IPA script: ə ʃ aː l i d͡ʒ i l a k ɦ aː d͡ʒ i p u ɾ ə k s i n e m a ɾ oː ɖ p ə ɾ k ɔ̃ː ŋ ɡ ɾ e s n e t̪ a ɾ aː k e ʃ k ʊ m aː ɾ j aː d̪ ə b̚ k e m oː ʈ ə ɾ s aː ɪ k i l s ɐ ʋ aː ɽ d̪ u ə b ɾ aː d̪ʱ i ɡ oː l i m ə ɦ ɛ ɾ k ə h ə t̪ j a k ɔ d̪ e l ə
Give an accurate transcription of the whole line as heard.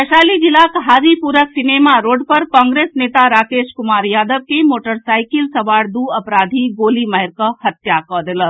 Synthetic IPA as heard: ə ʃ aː l i d͡ʒ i l a k ɦ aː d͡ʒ i p u ɾ ə k s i n e m a ɾ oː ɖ p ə ɾ k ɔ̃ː ŋ ɡ ɾ e s n e t̪ a ɾ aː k e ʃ k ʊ m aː ɾ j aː d̪ ə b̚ k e m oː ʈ ə ɾ s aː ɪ k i l s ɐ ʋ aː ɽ d̪ u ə p ɾ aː d̪ʱ i ɡ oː l i m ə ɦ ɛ ɾ k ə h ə t̪ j a k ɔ d̪ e l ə

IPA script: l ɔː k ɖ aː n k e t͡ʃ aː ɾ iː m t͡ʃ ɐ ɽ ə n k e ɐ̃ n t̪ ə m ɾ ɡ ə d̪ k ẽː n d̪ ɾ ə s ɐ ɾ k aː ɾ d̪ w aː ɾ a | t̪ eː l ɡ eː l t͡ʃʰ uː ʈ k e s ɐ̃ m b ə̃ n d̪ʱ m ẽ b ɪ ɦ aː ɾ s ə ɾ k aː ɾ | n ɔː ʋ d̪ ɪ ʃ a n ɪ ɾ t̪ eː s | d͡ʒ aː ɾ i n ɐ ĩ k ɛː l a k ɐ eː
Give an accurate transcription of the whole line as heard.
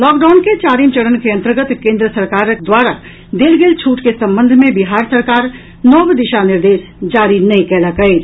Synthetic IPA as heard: l ɔː k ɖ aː n k e t͡ʃ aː ɾ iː m t͡ʃ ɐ ɽ ə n k e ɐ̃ n t̪ ə ɾ ɡ ə t̪ k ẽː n d̪ ɾ ə s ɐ ɾ k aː ɾ d̪ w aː ɾ a | d̪ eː l ɡ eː l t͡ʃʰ uː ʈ k e s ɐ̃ m b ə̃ n d̪ʱ m ẽ b ɪ ɦ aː ɾ s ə ɾ k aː ɾ | n ɔː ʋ d̪ ɪ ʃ a n ɪ ɾ d̪ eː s | d͡ʒ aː ɾ i n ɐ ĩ k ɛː l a k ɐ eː

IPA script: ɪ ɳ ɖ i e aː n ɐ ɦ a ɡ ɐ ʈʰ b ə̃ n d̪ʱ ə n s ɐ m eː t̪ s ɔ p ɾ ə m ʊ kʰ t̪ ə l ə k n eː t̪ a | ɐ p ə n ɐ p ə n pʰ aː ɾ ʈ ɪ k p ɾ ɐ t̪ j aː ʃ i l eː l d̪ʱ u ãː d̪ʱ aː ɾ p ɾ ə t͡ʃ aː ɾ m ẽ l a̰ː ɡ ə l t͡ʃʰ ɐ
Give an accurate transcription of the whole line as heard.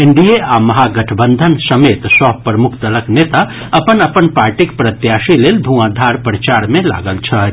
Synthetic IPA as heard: ɪ ɳ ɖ i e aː m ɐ ɦ a ɡ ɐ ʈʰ b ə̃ n d̪ʱ ə n s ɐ m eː t̪ s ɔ p ɾ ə m ʊ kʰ t̪ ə l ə k n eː t̪ a | ɐ p ə n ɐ p ə n p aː ɾ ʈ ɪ k p ɾ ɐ t̪ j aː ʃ i l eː l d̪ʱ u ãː d̪ʱ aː ɾ p ɾ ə t͡ʃ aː ɾ m ẽ l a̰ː ɡ ə l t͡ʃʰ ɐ

